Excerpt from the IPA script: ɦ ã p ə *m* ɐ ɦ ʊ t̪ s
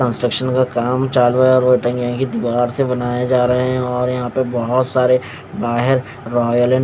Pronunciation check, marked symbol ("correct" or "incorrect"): incorrect